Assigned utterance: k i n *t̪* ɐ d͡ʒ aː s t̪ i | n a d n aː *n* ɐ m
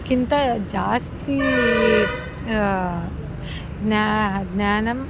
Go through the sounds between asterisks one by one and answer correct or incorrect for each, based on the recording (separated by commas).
correct, correct